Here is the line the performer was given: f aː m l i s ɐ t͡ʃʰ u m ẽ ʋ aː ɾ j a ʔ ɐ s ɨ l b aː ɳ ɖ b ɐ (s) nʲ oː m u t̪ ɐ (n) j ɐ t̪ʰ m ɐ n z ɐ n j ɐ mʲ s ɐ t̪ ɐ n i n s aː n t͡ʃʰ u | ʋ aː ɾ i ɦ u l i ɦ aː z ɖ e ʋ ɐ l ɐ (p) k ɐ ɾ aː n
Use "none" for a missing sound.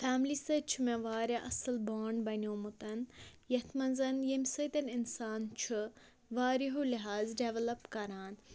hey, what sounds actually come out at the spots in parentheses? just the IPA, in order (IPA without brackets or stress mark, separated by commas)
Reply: none, n, p